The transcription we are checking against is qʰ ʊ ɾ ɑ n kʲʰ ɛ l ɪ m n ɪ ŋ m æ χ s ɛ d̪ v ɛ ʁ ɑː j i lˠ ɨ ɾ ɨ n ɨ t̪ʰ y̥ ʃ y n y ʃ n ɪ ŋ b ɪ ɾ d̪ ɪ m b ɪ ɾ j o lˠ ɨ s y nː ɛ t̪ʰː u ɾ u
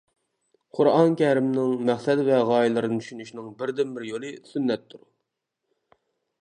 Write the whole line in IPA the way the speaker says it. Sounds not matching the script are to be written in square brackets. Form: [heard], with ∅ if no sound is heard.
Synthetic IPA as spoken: qʰ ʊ ɾ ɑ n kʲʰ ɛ [ɾ] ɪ m n ɪ ŋ m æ χ s ɛ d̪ v ɛ ʁ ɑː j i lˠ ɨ ɾ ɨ n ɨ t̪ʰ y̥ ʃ y n y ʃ n ɪ ŋ b ɪ ɾ d̪ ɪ m b ɪ ɾ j o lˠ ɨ s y nː ɛ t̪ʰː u ɾ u